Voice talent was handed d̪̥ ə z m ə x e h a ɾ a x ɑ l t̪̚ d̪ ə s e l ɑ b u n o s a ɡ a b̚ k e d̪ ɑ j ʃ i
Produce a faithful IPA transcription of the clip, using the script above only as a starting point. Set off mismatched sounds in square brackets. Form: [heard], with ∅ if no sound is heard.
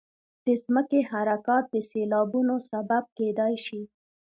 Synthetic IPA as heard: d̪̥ ə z m ə [k] e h a ɾ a [k] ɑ [∅] t̪̚ d̪ ə s e l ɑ b u n o s a [b] a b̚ k e d̪ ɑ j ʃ i

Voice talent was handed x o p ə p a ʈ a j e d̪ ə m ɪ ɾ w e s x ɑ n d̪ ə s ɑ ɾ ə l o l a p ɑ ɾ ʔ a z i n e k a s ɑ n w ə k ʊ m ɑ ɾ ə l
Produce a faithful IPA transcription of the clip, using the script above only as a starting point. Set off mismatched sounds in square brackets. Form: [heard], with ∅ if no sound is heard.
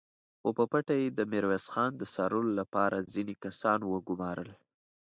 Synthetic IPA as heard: x o p ə p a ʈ a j e d̪ ə m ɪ ɾ w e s x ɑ n d̪ ə s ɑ ɾ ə l o l a p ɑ ɾ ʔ a z i n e k a s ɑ n w ə [ɡ] ʊ m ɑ ɾ ə l

